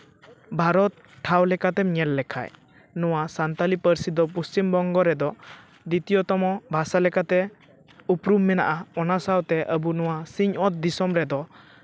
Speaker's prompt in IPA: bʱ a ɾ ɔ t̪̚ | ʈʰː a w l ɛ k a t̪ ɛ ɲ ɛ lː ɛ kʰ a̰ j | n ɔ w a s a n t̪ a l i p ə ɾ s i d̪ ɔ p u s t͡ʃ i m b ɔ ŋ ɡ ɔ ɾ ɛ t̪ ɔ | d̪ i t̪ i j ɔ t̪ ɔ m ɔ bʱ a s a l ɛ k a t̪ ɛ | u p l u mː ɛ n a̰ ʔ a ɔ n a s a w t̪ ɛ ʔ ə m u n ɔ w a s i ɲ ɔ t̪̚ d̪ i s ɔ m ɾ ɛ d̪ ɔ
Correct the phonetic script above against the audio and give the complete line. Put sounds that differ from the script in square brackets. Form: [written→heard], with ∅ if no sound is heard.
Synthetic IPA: bʱ a ɾ ɔ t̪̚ | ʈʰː a w l ɛ k a t̪ ɛ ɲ ɛ lː ɛ kʰ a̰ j | n ɔ w a s a n t̪ a l i p ə ɾ s i d̪ ɔ p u s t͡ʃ i m b ɔ ŋ ɡ ɔ ɾ ɛ [t̪→d̪] ɔ | d̪ i t̪ i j ɔ t̪ ɔ m ɔ bʱ a s a l ɛ k a t̪ ɛ | u p [l→ɾ] u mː ɛ n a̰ ʔ a ɔ n a s a w t̪ ɛ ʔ ə [m→b] u n ɔ w a s i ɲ ɔ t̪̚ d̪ i s ɔ m ɾ ɛ d̪ ɔ